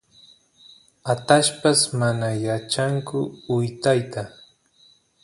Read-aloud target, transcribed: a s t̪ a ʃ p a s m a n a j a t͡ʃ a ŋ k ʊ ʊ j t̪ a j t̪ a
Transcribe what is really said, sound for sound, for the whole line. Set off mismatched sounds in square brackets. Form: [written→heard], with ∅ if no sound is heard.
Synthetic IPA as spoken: a [s→∅] t̪ a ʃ p a s m a n a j a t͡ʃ a ŋ k ʊ ʊ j t̪ a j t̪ a